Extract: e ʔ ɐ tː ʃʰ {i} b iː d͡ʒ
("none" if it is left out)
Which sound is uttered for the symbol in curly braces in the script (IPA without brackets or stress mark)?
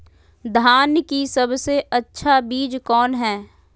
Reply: a